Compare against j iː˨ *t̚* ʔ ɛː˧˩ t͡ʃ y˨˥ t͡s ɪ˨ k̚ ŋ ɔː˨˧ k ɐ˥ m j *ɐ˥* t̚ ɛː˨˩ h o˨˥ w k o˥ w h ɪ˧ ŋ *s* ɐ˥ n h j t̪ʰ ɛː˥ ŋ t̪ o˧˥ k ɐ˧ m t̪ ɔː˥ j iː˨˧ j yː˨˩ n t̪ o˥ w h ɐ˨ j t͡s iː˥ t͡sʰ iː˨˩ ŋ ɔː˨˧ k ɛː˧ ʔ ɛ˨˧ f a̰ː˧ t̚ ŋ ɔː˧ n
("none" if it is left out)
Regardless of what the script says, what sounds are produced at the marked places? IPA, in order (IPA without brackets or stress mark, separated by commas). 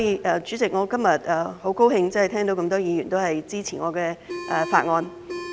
none, ɐ˨, t͡s